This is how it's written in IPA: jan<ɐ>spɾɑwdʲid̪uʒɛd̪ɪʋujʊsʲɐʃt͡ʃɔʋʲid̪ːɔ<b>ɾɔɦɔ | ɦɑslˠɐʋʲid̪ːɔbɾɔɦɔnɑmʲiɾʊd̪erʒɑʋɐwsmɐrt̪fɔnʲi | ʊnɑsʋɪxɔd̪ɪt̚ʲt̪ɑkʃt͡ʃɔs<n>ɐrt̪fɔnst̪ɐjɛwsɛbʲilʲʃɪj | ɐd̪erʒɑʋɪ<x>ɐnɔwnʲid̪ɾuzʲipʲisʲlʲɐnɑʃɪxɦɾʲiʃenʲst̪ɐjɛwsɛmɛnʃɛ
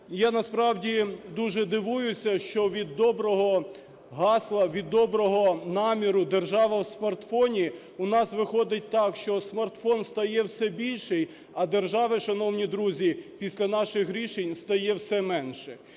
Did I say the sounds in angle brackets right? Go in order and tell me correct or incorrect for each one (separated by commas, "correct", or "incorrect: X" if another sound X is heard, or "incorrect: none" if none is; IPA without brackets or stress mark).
correct, correct, incorrect: m, incorrect: ʃ